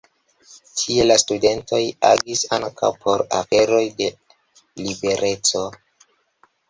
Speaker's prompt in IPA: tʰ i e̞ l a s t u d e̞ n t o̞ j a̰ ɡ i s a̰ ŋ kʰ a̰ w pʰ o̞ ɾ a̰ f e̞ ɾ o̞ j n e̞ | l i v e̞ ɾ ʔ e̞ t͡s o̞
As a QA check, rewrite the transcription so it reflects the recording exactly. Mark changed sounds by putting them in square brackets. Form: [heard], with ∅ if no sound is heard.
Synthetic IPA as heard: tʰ i e̞ l a s t u d e̞ n t o̞ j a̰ ɡ i s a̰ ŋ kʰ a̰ w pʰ o̞ ɾ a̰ f e̞ ɾ o̞ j [d] e̞ | l i [b] e̞ ɾ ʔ e̞ t͡s o̞